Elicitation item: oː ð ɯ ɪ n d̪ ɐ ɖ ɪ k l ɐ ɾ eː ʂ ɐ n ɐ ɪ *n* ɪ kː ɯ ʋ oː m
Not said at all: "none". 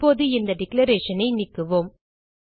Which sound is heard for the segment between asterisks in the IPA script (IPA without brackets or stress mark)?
n